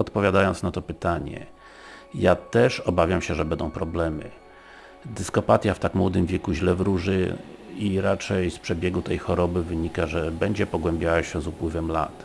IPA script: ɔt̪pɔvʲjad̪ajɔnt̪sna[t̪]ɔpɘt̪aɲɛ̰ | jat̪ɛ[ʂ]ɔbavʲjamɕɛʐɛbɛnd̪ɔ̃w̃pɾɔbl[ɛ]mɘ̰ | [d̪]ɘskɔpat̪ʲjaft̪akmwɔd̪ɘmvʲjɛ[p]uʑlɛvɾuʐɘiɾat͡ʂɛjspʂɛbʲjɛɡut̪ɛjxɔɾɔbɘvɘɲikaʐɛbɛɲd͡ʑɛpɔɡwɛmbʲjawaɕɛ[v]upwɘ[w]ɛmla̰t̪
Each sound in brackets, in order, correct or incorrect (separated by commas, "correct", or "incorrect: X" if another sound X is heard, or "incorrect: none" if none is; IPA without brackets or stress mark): correct, correct, correct, correct, incorrect: k, incorrect: z, incorrect: v